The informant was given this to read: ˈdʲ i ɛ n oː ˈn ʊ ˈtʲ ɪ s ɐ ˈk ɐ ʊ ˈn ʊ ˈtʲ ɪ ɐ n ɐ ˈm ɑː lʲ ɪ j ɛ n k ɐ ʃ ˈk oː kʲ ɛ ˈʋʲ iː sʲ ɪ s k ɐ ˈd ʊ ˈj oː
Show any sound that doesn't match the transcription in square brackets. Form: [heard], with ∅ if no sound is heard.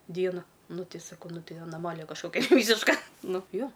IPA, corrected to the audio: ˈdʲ i ɛ n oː ˈn ʊ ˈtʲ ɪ s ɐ ˈk ɐ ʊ ˈn ʊ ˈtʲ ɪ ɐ n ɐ ˈm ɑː lʲ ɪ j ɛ [∅] k ɐ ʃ ˈk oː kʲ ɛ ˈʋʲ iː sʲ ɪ [ʃ] k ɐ [ˈn] ʊ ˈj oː

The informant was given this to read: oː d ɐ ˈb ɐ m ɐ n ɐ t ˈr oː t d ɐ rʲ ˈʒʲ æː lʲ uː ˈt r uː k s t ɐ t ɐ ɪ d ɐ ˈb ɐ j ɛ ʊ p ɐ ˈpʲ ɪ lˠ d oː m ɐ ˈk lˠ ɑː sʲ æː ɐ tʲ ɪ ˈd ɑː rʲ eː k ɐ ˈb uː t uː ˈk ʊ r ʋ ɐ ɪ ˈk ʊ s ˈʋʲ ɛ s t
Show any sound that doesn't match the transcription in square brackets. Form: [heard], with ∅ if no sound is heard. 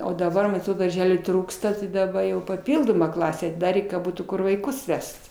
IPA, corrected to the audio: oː d ɐ ˈb ɐ m ɐ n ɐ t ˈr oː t d ɐ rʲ ˈʒʲ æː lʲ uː ˈt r uː k s t ɐ t ɐ ɪ d ɐ ˈb ɐ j ɛ ʊ p ɐ ˈpʲ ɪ lˠ d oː m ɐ ˈk lˠ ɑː sʲ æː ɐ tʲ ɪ ˈd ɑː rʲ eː k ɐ ˈb uː t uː ˈk ʊ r ʋ ɐ ɪ ˈk ʊ s ˈʋʲ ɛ s t

